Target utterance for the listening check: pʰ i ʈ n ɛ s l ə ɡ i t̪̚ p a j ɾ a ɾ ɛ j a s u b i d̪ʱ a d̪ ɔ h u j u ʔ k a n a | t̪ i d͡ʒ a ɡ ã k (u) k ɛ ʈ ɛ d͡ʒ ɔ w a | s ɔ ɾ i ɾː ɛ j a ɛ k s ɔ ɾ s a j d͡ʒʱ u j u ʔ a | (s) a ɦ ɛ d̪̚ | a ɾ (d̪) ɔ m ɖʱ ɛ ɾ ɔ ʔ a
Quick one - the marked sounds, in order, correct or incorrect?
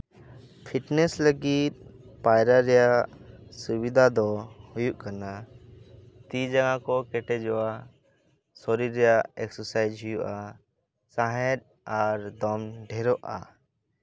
incorrect, correct, correct

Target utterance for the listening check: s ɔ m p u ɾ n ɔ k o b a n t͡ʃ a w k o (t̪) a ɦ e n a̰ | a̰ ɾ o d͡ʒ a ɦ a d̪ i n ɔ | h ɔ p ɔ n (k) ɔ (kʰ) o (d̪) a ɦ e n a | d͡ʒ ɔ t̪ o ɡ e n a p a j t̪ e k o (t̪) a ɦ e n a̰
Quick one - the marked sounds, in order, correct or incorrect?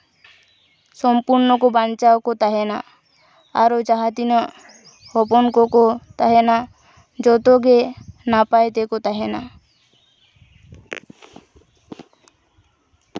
correct, correct, incorrect, incorrect, correct

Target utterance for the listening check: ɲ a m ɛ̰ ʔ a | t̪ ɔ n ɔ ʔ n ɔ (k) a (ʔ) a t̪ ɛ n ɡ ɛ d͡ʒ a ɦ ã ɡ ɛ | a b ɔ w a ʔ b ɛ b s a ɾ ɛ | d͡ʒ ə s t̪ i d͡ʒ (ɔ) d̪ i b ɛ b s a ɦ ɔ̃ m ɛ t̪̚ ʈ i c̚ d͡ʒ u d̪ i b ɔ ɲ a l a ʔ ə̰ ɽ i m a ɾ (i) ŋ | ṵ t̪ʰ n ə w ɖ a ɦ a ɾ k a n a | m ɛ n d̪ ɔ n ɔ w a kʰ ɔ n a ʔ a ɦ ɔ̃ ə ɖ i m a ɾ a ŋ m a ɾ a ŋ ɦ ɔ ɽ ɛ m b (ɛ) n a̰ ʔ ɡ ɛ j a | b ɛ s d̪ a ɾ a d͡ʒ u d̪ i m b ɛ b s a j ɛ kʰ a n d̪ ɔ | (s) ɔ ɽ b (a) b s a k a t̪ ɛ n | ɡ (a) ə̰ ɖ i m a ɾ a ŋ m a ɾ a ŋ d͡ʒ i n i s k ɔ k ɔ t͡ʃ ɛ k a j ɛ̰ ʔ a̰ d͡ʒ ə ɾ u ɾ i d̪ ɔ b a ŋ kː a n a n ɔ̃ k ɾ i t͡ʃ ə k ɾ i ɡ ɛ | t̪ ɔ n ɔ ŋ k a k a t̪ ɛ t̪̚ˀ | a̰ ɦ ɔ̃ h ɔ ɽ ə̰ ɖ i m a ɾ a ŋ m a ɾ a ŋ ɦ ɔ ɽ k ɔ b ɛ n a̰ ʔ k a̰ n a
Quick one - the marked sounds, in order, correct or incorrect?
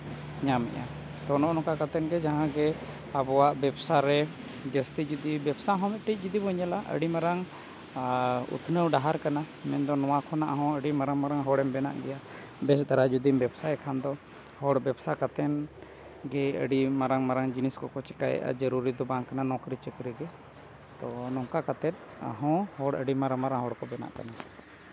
correct, incorrect, incorrect, incorrect, correct, incorrect, incorrect, incorrect

